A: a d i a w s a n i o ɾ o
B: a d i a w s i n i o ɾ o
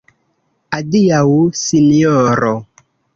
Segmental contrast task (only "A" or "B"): B